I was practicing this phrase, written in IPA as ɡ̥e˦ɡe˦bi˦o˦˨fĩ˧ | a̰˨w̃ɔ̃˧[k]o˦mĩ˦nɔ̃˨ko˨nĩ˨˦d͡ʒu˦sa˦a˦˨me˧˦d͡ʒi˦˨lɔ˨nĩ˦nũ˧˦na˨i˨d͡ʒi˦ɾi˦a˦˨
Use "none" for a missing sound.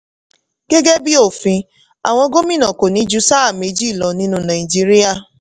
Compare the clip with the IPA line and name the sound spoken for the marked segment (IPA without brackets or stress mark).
ɡ